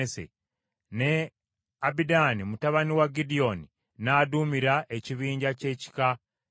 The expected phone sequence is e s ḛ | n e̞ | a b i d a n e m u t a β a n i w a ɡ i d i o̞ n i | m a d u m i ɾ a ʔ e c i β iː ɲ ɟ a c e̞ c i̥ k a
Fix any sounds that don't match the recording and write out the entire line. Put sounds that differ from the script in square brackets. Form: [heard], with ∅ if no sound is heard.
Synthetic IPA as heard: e s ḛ | n e̞ | a b i d a n [i] m u t a β a n i w a ɡ i d i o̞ n i | [n] a d u m i ɾ a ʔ e c i β iː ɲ ɟ a c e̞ c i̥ k a